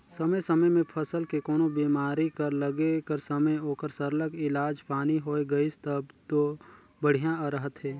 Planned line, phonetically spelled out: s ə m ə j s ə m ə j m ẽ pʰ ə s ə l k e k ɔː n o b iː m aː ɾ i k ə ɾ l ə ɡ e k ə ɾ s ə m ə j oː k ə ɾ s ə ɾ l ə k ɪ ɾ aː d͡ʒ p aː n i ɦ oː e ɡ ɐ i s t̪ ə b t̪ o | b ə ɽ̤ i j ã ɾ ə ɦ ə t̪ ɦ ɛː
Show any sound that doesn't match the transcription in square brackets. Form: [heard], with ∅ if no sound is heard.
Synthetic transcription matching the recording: s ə m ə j s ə m ə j m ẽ pʰ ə s ə l k e k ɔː n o b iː m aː ɾ i k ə ɾ l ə ɡ e k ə ɾ s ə m ə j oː k ə ɾ s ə ɾ l ə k ɪ [l] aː d͡ʒ p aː n i ɦ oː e ɡ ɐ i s t̪ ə b t̪ o | b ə ɽ̤ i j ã ɾ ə ɦ ə t̪ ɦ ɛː